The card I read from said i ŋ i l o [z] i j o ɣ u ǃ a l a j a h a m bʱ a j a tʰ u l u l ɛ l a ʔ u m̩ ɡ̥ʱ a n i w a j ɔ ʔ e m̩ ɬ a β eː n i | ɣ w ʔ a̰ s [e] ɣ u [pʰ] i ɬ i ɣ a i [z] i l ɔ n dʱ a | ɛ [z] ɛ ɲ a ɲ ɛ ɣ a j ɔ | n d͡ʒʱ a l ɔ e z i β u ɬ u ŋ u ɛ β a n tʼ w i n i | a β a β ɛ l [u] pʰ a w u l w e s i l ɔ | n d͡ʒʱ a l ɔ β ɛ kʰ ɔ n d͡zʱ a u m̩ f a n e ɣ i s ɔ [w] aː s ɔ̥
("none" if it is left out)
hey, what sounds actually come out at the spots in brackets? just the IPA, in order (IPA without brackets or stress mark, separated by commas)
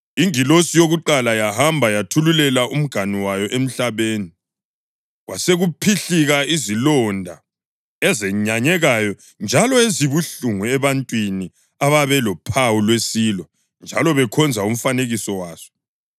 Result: s, e, pʰ, z, z, ɔ, w